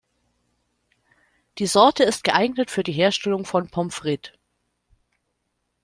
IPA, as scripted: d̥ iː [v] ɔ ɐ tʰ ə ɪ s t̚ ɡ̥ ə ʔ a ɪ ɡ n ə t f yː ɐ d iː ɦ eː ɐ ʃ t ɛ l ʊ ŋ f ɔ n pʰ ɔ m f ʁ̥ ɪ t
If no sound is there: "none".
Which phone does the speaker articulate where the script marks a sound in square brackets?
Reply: z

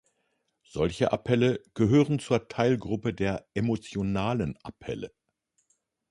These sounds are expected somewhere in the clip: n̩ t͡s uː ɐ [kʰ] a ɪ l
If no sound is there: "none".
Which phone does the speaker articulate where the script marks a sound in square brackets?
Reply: tʰ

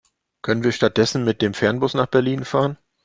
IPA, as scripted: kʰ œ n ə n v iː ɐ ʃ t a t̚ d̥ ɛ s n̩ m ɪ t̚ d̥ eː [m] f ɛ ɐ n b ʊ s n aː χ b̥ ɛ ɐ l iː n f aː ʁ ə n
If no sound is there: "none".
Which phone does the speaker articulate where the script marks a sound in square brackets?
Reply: m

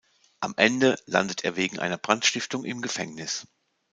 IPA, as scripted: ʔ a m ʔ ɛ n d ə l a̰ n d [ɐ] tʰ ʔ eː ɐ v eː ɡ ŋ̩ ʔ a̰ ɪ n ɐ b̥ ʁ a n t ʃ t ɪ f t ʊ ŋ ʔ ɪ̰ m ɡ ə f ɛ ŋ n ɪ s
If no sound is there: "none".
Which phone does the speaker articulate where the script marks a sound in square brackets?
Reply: ə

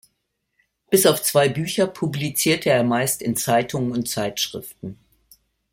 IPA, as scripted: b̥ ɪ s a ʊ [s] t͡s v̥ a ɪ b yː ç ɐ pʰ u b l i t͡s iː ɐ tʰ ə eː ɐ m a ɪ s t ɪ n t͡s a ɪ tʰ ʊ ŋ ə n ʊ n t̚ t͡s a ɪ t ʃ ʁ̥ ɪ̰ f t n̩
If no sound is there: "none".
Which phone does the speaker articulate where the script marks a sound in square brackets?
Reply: f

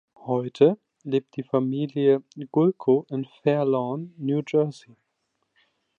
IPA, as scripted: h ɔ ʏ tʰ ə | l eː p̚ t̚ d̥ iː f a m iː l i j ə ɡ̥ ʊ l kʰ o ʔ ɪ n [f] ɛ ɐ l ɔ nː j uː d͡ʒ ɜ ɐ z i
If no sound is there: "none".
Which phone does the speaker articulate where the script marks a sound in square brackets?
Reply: f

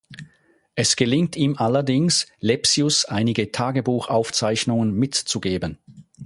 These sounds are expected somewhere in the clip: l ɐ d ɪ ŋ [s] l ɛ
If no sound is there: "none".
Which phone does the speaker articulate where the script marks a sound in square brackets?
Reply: s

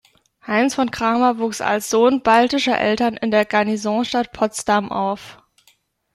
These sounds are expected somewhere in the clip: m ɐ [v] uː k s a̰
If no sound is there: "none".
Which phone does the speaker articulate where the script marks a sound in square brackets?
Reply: v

